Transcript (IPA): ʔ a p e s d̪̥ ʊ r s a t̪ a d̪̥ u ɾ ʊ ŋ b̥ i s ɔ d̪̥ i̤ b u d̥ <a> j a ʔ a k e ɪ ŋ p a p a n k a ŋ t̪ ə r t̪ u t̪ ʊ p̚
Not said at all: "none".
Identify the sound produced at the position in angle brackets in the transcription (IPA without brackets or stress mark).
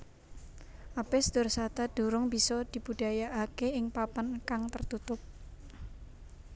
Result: a